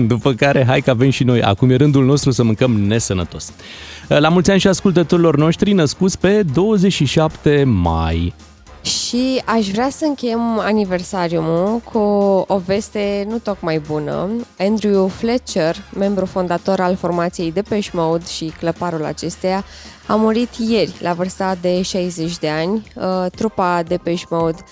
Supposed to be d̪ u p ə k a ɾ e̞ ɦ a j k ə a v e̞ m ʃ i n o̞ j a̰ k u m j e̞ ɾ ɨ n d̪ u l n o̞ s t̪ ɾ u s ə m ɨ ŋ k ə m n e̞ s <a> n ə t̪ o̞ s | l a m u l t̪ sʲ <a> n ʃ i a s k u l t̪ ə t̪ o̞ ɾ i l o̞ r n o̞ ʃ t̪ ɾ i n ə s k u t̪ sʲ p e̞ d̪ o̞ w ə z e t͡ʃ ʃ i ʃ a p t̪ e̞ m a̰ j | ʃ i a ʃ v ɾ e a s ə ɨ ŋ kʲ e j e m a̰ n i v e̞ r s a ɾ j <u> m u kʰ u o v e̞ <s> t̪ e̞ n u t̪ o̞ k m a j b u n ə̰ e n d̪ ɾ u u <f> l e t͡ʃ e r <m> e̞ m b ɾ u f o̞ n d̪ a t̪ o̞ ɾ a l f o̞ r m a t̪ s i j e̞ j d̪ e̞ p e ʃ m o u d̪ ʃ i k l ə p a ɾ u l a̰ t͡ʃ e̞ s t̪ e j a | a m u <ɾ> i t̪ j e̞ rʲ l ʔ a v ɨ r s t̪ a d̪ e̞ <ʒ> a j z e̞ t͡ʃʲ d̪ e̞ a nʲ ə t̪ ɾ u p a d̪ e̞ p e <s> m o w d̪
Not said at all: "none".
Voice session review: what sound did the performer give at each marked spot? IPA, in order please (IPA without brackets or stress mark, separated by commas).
ə, a, u, s, f, m, ɾ, ʃ, ʃ